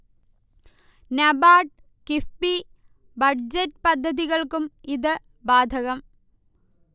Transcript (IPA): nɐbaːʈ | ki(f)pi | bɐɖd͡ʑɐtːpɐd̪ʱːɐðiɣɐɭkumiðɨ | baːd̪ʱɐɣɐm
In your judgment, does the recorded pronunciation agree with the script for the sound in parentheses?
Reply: yes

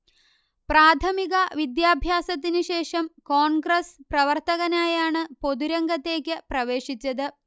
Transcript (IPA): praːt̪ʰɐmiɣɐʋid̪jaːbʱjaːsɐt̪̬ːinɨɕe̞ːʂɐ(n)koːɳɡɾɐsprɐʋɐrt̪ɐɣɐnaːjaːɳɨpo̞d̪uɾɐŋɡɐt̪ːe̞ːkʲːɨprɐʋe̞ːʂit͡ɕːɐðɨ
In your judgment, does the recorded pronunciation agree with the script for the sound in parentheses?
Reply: no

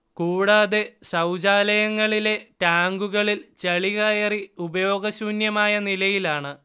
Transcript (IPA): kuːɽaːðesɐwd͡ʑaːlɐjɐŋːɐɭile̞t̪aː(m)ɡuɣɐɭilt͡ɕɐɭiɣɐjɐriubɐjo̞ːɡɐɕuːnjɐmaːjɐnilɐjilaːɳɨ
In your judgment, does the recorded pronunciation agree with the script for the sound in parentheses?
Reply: no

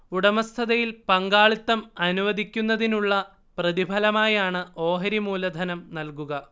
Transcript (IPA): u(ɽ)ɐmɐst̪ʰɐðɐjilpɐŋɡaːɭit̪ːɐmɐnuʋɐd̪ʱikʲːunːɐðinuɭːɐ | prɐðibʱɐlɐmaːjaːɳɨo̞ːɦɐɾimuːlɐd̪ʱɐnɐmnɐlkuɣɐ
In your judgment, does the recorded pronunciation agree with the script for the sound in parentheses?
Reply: yes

